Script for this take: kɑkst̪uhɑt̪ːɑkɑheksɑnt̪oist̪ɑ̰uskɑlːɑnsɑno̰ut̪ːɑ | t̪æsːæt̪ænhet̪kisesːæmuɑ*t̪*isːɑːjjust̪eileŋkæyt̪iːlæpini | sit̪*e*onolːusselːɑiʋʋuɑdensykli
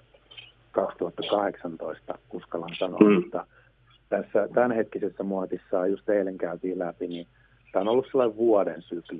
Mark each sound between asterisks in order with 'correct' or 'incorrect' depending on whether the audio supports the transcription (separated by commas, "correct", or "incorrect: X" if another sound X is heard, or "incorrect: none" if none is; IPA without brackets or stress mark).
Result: correct, incorrect: æ